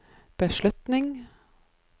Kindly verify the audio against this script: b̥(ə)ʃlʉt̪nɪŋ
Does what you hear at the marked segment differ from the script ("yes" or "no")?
no